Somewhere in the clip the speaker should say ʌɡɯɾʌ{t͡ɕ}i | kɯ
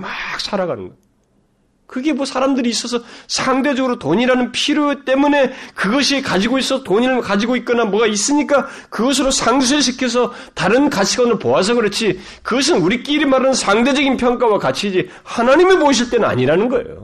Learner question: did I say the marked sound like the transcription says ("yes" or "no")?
no